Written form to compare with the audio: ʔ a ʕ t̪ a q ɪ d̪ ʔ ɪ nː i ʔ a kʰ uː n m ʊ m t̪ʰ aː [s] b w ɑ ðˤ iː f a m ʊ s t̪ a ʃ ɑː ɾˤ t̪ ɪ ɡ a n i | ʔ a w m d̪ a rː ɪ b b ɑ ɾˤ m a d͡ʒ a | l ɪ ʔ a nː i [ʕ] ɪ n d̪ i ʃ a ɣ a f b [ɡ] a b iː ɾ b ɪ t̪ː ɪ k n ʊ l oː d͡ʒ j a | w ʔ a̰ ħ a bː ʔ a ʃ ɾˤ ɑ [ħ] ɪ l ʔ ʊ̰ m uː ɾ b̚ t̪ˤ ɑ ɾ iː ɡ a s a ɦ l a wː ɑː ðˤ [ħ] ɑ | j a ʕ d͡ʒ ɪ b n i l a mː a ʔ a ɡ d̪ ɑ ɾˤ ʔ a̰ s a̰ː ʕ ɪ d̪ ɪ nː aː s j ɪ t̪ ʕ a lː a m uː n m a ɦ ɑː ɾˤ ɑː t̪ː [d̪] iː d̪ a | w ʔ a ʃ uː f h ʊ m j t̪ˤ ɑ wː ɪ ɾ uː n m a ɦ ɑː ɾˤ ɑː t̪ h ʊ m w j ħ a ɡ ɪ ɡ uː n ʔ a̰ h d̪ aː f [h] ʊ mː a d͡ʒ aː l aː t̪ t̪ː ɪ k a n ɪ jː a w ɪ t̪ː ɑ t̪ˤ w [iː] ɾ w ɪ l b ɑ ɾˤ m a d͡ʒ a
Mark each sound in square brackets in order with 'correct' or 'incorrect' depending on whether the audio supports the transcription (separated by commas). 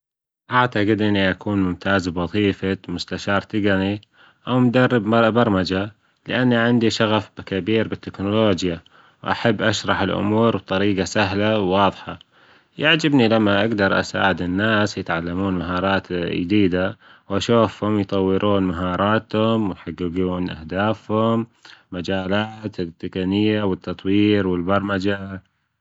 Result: incorrect, correct, incorrect, correct, correct, correct, correct, correct